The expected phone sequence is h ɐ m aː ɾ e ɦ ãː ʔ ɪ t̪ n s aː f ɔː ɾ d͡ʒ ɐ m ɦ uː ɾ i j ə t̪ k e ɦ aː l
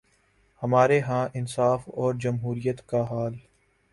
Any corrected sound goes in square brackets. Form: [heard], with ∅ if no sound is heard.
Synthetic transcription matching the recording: h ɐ m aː ɾ e ɦ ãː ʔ ɪ [∅] n s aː f ɔː ɾ d͡ʒ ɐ m ɦ uː ɾ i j ə t̪ k [a] ɦ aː l